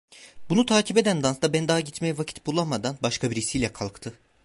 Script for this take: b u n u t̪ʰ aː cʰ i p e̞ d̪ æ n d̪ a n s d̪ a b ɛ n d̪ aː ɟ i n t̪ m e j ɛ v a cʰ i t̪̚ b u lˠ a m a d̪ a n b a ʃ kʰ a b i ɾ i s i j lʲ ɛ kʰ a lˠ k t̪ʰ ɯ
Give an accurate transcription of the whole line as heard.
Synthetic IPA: b u n u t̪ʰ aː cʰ i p e̞ d̪ æ n d̪ a n s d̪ a b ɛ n d̪ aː ɟ i t̪ m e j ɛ v a cʰ i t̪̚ b u lˠ a m a d̪ a n b a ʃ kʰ a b i ɾ i s i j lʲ ɛ kʰ a lˠ k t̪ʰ ɯ